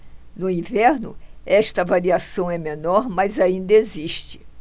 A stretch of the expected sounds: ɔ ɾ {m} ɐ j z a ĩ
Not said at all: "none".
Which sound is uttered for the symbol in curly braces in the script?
m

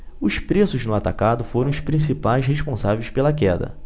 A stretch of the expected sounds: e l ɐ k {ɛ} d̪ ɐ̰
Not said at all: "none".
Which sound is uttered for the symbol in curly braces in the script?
ɛ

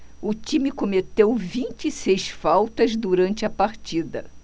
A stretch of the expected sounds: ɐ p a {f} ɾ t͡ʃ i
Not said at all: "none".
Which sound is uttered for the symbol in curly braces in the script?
none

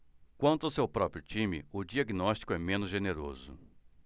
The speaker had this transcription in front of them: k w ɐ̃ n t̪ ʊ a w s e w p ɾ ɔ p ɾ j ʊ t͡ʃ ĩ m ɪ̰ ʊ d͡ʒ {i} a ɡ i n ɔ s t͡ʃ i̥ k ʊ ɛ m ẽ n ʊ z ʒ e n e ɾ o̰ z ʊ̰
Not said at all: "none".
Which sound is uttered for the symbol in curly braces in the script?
i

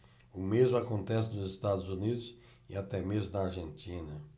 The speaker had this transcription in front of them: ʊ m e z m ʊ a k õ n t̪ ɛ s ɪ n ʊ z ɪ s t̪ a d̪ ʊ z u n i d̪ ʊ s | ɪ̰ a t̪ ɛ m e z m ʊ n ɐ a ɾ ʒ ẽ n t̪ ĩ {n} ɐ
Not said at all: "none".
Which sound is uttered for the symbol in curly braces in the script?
n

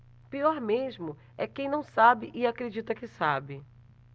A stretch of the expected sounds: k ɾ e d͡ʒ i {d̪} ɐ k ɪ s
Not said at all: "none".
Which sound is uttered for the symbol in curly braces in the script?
t̪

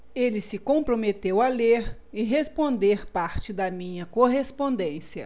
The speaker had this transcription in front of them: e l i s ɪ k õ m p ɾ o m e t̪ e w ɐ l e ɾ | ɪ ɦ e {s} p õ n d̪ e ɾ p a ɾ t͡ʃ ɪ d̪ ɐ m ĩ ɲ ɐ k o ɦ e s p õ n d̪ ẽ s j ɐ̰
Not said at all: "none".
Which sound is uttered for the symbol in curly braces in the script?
s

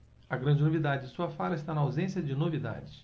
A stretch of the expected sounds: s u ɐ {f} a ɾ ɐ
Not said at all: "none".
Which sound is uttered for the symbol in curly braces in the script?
f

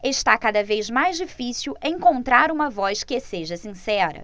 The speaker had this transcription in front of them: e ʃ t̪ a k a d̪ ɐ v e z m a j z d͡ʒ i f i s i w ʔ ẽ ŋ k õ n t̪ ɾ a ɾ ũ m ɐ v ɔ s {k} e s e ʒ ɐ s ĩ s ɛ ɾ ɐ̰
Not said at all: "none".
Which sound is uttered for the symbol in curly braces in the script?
k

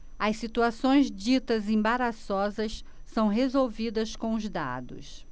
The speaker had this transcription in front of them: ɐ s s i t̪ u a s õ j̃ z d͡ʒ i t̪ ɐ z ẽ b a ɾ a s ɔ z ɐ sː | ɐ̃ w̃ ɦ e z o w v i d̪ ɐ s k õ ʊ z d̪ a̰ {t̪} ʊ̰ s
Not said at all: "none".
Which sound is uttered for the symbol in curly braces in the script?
d̪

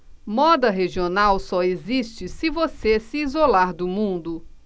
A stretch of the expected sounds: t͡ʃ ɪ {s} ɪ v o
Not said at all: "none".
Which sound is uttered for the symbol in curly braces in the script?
s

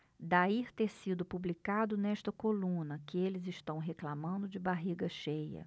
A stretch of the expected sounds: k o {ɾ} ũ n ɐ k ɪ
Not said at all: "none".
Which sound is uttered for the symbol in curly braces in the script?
l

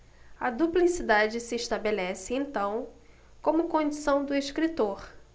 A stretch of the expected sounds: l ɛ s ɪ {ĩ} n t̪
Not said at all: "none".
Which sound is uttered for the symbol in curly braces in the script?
ẽ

